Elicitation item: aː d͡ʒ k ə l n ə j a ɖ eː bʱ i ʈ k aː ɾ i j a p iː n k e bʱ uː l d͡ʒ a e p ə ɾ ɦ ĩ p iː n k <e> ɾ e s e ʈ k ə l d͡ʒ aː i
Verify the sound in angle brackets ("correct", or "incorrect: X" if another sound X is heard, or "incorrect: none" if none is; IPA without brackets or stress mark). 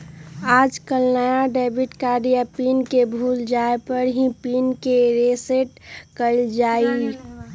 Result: correct